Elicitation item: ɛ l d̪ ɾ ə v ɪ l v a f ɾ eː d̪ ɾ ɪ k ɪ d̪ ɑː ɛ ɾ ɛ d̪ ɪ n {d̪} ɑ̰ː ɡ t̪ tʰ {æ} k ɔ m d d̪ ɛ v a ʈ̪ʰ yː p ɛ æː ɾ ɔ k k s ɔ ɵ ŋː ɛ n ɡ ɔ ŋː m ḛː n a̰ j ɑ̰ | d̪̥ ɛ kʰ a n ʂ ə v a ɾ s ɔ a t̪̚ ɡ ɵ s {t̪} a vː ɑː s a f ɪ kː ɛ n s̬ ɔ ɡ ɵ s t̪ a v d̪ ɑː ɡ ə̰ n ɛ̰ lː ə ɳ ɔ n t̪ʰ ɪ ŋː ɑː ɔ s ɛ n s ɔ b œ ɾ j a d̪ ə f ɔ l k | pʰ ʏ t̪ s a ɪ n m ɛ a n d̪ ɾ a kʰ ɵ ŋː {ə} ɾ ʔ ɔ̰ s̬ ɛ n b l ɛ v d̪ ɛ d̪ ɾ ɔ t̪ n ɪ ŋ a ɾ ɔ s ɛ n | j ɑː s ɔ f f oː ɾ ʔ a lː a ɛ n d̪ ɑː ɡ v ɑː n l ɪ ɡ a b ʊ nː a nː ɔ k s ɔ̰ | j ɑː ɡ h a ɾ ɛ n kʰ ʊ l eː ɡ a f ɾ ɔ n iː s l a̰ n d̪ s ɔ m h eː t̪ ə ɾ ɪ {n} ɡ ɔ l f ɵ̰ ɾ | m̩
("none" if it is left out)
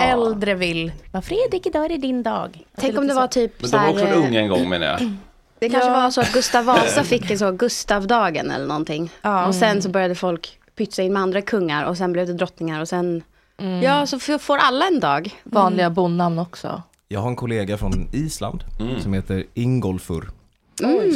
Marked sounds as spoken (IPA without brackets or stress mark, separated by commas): d̪, ɛ, t̪, a, ŋ